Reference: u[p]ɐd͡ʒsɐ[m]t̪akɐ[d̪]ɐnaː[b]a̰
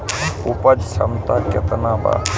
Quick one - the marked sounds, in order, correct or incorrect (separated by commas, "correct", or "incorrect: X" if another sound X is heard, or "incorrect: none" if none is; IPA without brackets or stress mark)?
correct, correct, incorrect: t̪, correct